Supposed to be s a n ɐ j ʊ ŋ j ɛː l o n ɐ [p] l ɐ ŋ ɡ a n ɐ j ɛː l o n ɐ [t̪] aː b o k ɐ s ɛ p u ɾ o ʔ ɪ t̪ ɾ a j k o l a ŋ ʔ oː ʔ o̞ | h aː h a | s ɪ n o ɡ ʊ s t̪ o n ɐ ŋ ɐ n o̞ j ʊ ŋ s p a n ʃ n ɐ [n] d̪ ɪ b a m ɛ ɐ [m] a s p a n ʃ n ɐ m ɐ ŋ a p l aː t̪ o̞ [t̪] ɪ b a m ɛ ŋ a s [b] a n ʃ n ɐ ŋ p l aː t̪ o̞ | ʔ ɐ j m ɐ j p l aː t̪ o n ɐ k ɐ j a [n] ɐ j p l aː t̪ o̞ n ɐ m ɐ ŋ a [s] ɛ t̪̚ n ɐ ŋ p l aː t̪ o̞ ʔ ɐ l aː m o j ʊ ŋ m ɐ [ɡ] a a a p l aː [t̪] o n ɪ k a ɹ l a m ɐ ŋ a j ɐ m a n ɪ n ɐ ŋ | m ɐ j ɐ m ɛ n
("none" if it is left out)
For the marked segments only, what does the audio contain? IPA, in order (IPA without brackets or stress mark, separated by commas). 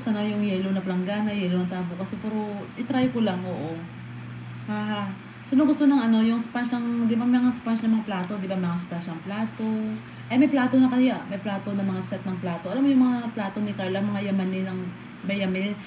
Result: p, t̪, ŋ, ŋ, d̪, p, m, s, ŋ, t̪